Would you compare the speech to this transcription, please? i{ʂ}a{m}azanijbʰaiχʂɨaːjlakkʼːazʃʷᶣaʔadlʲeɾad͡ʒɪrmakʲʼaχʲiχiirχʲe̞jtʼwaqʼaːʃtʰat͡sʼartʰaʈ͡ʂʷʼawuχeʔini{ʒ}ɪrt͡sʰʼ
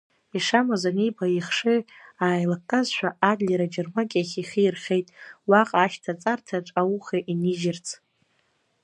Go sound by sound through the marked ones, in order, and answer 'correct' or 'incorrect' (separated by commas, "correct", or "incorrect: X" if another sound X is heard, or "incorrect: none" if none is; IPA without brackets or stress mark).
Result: correct, correct, correct